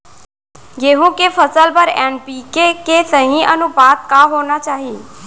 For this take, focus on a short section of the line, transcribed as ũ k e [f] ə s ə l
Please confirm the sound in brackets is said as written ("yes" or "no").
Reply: yes